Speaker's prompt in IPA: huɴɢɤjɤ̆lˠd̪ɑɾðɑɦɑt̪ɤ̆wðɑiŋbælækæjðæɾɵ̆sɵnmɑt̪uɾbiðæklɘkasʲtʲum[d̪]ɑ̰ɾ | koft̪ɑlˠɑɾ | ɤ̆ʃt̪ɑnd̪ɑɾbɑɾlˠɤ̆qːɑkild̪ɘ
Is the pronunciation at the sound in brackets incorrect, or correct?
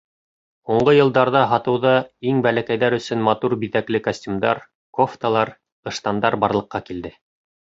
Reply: correct